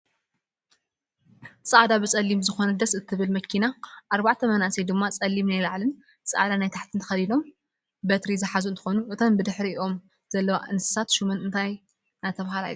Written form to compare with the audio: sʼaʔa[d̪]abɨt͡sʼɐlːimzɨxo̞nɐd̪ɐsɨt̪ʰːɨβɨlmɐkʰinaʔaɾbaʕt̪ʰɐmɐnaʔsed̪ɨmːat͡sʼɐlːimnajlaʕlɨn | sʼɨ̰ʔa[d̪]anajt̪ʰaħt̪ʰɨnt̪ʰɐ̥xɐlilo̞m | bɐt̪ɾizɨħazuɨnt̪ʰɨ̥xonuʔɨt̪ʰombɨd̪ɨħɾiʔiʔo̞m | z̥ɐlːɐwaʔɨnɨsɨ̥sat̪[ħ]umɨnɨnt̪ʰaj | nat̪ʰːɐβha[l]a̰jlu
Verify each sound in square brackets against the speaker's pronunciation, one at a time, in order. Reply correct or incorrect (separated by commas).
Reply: correct, correct, incorrect, correct